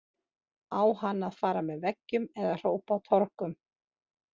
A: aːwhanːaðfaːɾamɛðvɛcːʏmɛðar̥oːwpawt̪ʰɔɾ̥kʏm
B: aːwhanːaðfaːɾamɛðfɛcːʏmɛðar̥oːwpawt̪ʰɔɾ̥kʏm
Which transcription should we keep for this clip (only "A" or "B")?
A